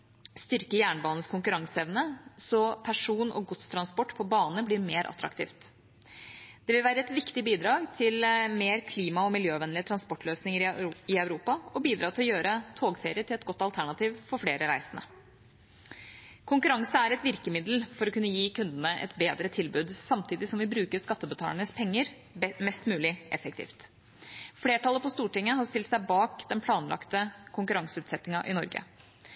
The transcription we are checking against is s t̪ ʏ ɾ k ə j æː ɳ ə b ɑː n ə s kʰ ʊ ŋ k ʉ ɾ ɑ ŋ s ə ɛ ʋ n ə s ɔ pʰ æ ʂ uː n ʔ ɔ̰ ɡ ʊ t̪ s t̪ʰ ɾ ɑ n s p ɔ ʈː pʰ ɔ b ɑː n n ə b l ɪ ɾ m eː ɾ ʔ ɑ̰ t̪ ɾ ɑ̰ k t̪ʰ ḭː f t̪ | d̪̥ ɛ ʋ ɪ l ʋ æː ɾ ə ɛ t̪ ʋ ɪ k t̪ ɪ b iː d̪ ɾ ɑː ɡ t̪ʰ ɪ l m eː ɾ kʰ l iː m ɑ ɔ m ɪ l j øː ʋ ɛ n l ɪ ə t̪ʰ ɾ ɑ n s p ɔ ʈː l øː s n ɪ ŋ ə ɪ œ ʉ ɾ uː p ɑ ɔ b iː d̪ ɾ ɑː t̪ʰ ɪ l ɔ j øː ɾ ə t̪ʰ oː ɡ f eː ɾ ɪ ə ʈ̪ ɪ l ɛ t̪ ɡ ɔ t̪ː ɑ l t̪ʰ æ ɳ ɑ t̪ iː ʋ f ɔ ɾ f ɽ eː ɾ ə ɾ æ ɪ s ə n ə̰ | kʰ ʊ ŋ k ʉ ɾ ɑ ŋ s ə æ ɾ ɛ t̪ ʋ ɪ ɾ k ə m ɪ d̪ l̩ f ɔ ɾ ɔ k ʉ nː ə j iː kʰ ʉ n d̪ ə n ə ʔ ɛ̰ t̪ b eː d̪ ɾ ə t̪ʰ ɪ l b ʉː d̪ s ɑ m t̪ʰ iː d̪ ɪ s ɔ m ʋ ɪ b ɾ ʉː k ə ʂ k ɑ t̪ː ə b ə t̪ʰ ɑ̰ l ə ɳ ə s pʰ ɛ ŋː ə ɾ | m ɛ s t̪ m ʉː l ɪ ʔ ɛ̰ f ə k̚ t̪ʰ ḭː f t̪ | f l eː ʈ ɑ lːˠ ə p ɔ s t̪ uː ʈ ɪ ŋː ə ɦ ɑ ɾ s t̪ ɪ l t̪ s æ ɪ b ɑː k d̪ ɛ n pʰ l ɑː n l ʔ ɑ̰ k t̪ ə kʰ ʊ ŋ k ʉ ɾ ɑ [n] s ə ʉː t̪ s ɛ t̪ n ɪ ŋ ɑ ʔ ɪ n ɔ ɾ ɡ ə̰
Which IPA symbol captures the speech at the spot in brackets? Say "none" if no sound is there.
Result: ŋ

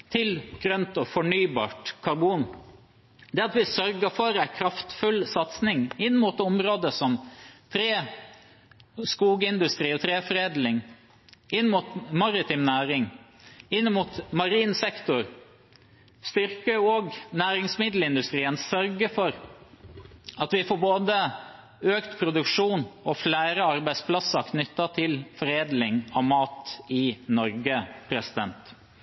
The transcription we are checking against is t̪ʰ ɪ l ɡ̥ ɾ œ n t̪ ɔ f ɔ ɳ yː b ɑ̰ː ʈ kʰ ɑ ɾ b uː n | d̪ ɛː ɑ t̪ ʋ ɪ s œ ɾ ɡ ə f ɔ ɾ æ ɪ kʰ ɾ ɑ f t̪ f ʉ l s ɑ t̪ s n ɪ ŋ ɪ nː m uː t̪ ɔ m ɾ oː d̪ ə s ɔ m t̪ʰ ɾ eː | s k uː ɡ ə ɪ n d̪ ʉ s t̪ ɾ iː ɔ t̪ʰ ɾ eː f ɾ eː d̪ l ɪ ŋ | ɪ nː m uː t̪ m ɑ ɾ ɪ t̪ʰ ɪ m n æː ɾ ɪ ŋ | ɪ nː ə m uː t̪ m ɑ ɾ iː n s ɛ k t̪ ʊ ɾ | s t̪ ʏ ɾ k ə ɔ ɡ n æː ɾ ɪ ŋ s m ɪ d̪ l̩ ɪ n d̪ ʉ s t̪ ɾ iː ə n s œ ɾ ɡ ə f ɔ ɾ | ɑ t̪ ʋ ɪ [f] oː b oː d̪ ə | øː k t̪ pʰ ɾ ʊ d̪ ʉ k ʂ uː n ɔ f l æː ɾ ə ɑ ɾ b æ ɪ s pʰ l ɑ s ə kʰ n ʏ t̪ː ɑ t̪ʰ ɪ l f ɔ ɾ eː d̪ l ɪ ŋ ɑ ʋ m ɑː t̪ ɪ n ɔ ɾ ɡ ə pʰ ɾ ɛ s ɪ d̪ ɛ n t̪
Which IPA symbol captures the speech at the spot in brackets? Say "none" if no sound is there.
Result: f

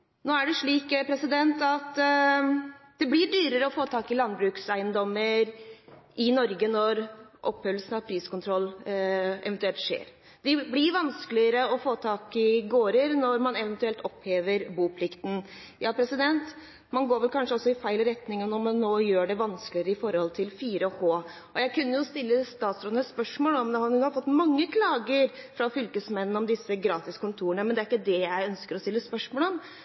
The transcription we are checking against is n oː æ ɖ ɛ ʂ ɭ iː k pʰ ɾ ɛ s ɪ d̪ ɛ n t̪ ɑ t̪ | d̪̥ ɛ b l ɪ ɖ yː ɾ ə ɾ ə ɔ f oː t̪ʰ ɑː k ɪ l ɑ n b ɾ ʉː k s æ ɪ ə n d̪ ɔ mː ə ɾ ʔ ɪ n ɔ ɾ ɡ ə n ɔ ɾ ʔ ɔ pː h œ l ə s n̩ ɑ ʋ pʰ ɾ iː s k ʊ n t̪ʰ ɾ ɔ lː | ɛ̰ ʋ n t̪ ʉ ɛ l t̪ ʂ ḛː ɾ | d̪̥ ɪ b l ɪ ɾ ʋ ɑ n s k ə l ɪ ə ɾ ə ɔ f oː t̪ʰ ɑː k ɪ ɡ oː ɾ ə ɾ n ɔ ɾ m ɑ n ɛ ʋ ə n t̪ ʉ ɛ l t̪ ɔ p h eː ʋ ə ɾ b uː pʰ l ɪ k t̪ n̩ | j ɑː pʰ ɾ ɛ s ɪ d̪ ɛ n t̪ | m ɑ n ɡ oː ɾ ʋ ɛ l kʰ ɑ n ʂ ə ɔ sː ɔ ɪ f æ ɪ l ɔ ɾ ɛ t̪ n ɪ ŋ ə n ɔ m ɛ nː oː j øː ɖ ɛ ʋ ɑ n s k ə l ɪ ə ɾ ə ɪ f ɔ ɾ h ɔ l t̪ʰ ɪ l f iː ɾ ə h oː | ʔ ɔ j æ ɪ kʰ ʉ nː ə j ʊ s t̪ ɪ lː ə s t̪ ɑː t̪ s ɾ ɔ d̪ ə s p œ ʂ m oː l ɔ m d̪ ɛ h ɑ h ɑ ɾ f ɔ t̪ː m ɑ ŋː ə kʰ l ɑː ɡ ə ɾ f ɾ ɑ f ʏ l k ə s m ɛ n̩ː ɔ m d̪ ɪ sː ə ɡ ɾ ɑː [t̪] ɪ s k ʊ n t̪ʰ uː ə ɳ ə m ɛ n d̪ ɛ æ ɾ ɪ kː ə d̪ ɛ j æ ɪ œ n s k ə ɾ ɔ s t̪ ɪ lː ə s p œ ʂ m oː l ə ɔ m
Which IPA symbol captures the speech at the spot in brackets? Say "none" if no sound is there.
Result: t̪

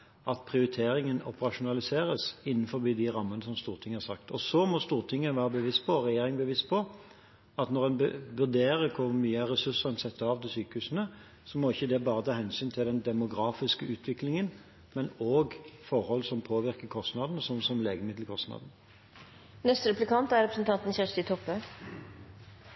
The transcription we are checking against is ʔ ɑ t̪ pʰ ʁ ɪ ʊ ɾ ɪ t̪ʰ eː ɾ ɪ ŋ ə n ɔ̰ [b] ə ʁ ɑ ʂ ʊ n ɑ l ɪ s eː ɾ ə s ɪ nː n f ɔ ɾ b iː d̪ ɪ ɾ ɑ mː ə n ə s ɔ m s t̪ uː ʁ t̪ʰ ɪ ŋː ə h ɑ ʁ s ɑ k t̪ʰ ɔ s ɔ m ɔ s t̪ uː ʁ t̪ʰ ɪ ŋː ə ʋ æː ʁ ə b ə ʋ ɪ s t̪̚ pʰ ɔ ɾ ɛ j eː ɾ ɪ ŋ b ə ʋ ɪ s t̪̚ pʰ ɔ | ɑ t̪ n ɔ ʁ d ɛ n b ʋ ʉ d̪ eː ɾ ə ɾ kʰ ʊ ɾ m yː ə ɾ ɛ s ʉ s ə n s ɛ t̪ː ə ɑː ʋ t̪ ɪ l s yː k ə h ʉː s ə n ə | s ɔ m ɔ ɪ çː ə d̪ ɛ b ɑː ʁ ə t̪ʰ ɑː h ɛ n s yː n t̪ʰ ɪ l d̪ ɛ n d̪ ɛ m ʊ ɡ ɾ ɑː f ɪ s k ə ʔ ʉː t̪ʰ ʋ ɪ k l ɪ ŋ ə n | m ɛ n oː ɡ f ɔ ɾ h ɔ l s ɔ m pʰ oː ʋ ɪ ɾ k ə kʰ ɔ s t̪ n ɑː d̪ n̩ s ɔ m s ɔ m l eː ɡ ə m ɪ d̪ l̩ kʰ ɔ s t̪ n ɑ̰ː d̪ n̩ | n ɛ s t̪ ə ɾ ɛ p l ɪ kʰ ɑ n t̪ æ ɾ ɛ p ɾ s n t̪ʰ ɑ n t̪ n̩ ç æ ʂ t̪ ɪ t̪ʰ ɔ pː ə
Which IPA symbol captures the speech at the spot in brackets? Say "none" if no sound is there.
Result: p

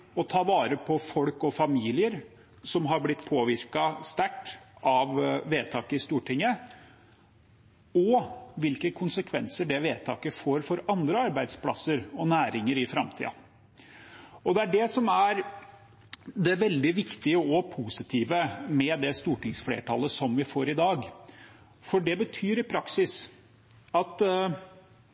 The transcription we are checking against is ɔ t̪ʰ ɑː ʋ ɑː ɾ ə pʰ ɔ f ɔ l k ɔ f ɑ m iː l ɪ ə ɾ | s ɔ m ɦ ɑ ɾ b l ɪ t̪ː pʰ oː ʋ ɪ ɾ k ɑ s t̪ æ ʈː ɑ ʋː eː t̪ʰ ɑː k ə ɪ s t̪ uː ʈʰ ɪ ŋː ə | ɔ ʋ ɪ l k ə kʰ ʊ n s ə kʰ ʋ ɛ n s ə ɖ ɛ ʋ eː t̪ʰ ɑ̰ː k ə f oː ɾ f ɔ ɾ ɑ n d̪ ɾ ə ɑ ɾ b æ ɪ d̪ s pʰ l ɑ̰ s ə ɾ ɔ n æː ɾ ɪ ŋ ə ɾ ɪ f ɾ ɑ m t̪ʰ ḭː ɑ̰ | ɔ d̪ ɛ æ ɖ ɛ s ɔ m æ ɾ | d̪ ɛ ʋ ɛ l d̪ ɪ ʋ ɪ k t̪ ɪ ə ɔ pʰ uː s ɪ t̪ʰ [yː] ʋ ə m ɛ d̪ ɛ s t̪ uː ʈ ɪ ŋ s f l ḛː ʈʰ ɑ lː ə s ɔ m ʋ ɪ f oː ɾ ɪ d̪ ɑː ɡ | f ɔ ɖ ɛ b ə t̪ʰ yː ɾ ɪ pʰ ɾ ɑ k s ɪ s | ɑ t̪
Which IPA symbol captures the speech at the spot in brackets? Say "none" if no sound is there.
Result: iː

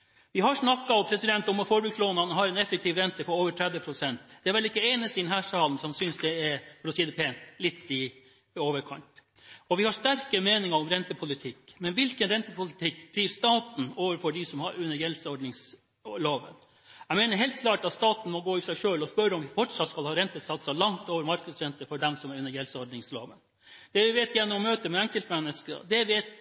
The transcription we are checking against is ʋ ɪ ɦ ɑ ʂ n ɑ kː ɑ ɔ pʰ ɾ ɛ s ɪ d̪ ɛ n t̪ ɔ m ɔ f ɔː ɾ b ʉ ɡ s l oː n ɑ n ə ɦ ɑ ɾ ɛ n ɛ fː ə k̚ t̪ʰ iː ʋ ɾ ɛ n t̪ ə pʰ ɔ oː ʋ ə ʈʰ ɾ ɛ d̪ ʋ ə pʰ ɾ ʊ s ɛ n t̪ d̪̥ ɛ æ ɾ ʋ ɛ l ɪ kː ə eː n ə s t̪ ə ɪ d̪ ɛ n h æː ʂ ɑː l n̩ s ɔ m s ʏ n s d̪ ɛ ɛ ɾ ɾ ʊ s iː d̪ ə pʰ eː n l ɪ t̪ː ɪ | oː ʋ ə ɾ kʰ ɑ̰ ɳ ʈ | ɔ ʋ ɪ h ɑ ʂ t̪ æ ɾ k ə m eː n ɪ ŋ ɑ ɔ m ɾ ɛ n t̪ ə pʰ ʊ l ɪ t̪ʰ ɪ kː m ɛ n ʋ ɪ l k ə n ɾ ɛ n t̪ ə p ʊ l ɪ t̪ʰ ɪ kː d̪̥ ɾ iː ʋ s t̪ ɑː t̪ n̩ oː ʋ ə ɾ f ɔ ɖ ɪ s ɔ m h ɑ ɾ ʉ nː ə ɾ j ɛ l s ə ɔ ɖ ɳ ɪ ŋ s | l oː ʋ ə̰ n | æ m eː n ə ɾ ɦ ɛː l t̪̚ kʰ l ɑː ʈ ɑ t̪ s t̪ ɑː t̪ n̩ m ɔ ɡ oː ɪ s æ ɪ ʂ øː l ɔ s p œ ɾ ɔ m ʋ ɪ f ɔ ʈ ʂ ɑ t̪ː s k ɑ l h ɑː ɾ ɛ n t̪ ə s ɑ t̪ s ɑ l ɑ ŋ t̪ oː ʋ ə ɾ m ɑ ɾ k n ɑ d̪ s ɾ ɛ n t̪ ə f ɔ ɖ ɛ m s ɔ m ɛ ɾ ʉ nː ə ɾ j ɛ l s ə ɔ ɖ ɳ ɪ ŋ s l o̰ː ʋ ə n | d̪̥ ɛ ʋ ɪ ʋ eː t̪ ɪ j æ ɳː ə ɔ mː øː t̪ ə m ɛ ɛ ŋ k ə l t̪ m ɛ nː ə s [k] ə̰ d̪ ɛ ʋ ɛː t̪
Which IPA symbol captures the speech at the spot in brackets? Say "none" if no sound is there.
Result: k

